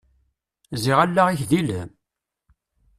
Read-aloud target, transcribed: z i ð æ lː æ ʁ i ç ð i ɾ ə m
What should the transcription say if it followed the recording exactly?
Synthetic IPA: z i ʁ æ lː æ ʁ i ç ð i l ə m